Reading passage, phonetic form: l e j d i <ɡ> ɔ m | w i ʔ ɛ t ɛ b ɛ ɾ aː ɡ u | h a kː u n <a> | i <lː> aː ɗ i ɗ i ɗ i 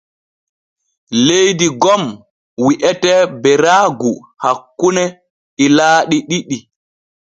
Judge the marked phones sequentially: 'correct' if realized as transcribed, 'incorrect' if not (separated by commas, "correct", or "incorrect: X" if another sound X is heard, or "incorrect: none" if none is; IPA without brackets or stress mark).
correct, incorrect: ɛ, incorrect: l